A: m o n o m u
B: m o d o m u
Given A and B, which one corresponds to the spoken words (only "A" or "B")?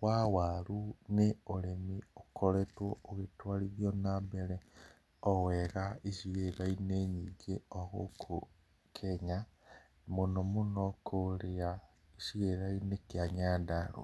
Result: A